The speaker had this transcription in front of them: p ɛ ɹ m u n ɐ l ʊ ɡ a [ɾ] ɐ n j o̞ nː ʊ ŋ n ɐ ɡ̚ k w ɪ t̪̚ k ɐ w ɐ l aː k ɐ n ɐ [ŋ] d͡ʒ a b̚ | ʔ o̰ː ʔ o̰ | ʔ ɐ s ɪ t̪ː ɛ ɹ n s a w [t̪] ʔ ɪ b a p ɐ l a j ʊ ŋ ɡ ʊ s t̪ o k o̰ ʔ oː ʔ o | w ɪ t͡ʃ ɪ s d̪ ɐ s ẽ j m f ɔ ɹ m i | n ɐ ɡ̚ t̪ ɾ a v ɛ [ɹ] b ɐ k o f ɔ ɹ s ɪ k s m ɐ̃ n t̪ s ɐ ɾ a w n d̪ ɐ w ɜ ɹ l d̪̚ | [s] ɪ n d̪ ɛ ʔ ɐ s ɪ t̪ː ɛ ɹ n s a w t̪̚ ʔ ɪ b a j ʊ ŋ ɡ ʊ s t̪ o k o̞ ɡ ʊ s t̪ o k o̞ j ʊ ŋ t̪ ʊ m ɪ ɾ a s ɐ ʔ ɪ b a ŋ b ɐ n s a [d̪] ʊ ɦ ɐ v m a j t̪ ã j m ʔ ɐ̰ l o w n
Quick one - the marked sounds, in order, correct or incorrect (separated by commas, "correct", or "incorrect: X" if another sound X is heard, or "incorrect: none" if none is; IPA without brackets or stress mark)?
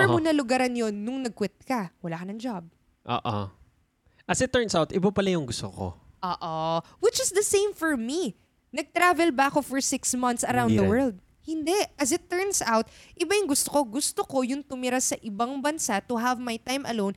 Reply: correct, correct, correct, incorrect: l, incorrect: h, incorrect: t̪